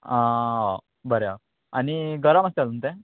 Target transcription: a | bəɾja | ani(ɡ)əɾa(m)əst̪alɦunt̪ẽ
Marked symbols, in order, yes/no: yes, yes

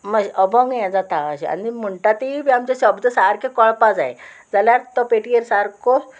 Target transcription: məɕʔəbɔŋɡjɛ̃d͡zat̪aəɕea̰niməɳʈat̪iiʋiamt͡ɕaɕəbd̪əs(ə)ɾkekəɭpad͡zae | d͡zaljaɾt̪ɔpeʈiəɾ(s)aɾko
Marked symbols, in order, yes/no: no, yes

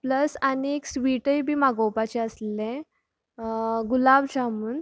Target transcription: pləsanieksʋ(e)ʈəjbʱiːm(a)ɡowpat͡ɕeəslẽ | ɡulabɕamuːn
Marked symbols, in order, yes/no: no, yes

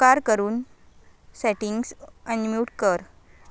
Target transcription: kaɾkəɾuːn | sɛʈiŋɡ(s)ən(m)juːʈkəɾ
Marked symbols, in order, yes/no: yes, yes

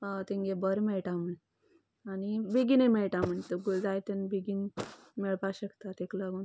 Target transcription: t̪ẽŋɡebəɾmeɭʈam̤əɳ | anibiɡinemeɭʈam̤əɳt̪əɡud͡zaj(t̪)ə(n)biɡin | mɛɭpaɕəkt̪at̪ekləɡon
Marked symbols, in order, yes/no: yes, yes

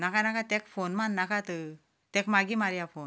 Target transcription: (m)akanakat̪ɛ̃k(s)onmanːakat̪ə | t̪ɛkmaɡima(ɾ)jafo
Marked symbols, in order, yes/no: no, no, yes

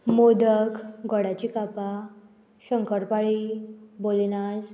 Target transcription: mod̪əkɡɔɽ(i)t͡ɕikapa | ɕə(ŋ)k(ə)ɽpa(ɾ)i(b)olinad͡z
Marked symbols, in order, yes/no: no, yes, yes, no, yes

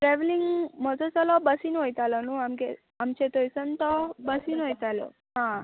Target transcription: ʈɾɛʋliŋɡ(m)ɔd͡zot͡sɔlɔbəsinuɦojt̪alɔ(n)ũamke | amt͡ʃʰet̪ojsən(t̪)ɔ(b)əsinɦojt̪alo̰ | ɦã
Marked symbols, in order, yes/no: yes, yes, yes, yes

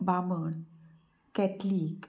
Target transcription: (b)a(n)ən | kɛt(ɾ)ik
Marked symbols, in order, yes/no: yes, no, no

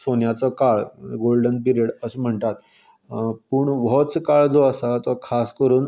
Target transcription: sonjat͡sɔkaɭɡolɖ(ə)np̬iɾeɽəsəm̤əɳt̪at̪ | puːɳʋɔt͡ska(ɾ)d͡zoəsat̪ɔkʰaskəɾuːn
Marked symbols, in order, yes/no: yes, no

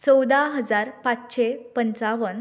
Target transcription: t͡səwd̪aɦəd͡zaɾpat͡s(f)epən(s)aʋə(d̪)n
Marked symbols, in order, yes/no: no, no, no

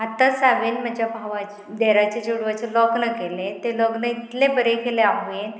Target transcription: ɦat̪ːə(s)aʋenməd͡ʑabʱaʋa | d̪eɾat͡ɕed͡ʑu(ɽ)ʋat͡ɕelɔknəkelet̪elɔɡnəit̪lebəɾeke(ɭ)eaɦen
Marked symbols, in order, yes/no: yes, yes, no

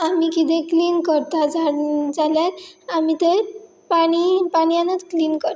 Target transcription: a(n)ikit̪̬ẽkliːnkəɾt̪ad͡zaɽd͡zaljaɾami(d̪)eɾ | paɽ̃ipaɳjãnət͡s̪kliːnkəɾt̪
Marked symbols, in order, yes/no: no, no

